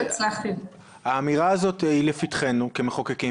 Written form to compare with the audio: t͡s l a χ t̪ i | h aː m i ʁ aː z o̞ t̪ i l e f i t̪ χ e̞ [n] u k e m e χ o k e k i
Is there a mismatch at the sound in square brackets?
no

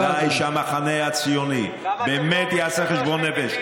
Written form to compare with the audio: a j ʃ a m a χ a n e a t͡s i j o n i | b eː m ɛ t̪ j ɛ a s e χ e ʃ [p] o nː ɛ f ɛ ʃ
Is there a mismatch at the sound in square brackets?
yes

